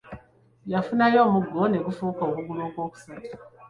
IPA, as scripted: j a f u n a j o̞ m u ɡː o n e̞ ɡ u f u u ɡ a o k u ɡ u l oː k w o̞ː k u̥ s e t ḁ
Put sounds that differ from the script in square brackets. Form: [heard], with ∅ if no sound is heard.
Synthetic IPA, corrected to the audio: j a f u n a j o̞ m u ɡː o n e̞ ɡ u f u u [k] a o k u ɡ u l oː k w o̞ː k u̥ s [a] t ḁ